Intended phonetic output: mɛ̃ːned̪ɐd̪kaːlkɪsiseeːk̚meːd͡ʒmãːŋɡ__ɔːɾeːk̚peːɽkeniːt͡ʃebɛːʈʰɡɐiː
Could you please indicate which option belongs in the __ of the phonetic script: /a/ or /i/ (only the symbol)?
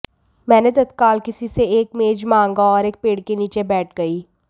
a